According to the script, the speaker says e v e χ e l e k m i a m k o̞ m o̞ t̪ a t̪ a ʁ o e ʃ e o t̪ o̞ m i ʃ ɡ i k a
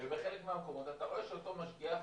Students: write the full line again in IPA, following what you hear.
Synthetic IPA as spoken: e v e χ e l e k m e a m k o̞ m o̞ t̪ a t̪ a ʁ o e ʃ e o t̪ o̞ m a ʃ ɡ i a